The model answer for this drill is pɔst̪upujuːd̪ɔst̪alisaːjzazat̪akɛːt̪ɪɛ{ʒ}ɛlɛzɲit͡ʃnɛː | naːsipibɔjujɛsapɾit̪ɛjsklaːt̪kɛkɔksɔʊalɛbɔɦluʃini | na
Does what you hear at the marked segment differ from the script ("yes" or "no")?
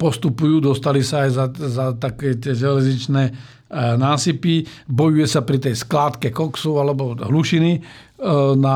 no